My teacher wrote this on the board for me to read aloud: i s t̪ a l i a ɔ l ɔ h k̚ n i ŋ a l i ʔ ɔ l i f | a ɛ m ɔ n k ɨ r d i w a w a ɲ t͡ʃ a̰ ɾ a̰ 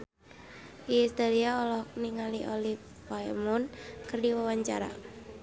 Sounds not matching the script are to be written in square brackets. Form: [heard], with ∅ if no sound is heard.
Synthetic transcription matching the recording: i s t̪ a l i a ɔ l ɔ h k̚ n i ŋ a l i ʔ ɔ l i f | a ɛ m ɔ n k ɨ r d i w a w a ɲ t͡ʃ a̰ ɾ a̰